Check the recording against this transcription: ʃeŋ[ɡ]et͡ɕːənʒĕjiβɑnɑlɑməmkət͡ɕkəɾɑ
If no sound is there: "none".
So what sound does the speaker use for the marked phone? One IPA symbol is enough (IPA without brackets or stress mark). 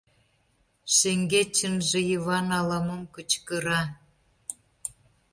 ɡ